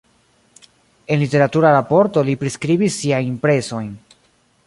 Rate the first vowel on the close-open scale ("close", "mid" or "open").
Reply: mid